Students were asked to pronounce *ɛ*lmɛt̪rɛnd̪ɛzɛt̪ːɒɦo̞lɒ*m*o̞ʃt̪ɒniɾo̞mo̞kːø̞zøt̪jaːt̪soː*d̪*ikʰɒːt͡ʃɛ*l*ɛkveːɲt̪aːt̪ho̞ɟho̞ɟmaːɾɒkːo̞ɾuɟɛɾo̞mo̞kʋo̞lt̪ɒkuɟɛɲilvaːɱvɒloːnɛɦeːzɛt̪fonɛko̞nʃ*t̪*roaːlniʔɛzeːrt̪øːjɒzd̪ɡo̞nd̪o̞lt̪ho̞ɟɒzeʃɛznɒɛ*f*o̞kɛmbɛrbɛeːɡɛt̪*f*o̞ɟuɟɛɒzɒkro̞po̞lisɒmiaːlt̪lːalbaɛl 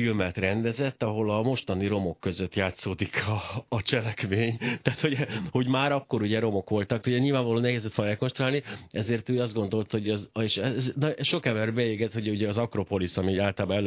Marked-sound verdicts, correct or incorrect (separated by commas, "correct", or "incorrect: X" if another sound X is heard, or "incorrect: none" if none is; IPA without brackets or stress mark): incorrect: i, correct, correct, correct, correct, incorrect: ʃ, incorrect: h